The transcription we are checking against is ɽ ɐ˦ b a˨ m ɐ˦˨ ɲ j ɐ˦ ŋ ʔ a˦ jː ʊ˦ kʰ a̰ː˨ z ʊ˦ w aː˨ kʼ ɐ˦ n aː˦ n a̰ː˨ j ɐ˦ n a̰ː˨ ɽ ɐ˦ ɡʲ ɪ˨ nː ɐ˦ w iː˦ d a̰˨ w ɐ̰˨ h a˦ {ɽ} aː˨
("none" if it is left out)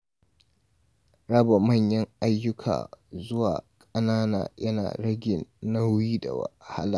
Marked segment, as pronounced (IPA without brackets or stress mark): l